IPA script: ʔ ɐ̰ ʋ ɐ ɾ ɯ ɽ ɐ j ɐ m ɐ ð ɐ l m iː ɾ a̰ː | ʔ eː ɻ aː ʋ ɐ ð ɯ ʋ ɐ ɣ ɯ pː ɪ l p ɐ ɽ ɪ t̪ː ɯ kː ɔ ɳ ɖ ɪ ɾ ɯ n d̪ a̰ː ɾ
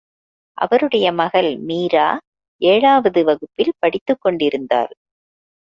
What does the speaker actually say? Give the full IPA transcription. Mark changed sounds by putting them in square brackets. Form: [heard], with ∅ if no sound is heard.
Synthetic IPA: ʔ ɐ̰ ʋ ɐ ɾ ɯ ɽ ɐ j ɐ m ɐ [ɣ] ɐ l m iː ɾ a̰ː | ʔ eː ɻ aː ʋ ɐ ð ɯ ʋ ɐ ɣ ɯ pː ɪ l p ɐ ɽ ɪ t̪ː ɯ kː ɔ ɳ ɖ ɪ ɾ ɯ n d̪ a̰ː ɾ